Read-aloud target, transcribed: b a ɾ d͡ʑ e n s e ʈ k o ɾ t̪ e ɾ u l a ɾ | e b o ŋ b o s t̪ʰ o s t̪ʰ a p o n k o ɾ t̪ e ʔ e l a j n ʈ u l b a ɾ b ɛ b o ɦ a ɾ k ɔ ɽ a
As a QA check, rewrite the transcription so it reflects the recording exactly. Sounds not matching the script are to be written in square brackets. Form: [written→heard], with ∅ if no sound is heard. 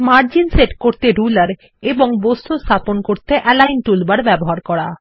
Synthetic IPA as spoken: [b→m] a ɾ d͡ʑ [e→i] n s e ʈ k o ɾ t̪ e ɾ u l a ɾ | e b o ŋ b o s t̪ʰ o s t̪ʰ a p o n k o ɾ t̪ e ʔ [e→ɛ] l a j n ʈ u l b a ɾ b ɛ b o ɦ a ɾ k ɔ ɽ a